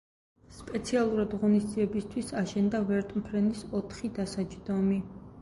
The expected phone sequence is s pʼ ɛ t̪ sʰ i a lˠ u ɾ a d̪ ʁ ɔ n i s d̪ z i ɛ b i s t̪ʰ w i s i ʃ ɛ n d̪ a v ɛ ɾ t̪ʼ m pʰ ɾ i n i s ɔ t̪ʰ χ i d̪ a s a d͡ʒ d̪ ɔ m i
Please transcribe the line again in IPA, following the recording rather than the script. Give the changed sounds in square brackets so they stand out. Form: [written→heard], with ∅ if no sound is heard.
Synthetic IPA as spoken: s pʼ ɛ t̪ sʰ i a lˠ u ɾ a d̪ ʁ ɔ n i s d̪ z i ɛ b i s t̪ʰ w i s [i→a] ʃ ɛ n d̪ a v ɛ ɾ t̪ʼ m pʰ ɾ [i→ɛ] n i s ɔ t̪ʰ χ i d̪ a s a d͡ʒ d̪ ɔ m i